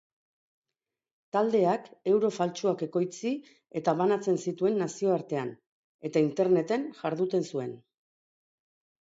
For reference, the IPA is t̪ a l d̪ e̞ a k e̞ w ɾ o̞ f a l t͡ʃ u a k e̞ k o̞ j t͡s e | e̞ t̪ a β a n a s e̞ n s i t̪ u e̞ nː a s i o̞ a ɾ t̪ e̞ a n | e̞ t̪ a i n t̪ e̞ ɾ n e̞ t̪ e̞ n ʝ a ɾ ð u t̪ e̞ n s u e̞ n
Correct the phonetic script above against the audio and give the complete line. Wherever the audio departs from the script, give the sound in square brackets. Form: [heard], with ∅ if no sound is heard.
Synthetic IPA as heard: t̪ a l d̪ e̞ a k e̞ w ɾ o̞ f a l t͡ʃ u a k e̞ k o̞ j t͡s [i] | e̞ t̪ a β a n a [t͡s] e̞ n s i t̪ u e̞ nː a s i o̞ a ɾ t̪ e̞ a n | e̞ t̪ a i n t̪ e̞ ɾ n e̞ t̪ e̞ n ʝ a ɾ ð u t̪ e̞ n s u e̞ n